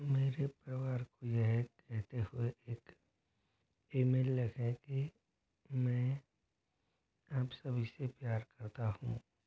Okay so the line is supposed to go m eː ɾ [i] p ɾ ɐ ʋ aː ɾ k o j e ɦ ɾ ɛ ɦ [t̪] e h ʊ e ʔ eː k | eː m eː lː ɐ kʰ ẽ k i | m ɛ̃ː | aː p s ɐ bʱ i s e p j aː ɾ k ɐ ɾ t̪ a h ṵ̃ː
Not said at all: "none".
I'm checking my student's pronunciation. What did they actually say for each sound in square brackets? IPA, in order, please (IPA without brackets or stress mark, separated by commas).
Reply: e, t̪